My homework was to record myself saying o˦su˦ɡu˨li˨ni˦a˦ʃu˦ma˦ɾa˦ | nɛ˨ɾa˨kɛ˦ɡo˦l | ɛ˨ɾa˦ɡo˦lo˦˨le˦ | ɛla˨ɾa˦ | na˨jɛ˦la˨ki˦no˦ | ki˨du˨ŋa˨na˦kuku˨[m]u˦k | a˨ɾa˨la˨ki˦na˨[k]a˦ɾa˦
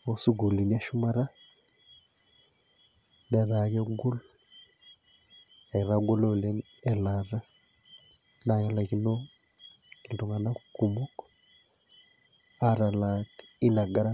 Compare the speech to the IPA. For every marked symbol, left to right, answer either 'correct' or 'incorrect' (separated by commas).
correct, incorrect